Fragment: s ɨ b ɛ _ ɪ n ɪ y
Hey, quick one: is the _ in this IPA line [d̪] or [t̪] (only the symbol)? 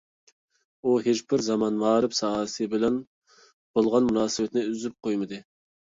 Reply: t̪